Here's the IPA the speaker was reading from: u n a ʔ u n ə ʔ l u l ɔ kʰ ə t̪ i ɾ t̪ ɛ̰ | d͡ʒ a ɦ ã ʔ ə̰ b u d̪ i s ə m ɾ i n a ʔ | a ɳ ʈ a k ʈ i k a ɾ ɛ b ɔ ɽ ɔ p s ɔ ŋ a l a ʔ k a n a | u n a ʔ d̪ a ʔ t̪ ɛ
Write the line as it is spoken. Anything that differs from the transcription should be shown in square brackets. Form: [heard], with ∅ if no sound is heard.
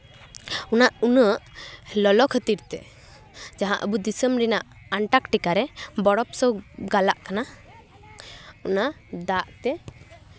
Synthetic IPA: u n a ʔ u n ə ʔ l [ɔ] l ɔ kʰ ə t̪ i ɾ t̪ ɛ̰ | d͡ʒ a ɦ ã ʔ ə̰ b u d̪ i s ə m ɾ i n a ʔ | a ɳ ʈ a k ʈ i k a ɾ ɛ b ɔ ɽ ɔ p s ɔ [ɡ] a l a ʔ k a n a | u n a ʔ d̪ a ʔ t̪ ɛ